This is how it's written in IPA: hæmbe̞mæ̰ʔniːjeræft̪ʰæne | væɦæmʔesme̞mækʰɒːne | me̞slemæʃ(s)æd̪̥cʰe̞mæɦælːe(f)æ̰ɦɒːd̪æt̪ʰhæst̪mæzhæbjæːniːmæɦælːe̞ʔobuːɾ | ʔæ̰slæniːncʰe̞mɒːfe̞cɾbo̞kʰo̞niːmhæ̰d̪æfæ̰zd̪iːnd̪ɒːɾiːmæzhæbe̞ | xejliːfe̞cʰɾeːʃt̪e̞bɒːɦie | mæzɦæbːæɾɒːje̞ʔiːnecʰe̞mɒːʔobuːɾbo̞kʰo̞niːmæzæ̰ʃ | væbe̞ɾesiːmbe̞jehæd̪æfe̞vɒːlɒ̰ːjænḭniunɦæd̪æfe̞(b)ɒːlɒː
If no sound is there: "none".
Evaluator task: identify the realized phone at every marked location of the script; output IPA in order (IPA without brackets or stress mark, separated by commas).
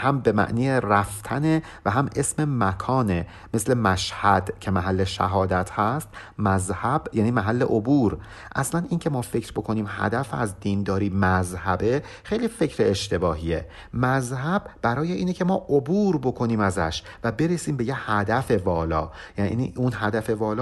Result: h, ʃ, v